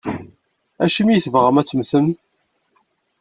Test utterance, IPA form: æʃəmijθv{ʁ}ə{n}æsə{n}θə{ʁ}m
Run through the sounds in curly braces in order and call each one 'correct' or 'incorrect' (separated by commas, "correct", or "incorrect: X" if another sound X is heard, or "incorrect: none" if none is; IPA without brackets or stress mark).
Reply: correct, incorrect: m, incorrect: m, incorrect: none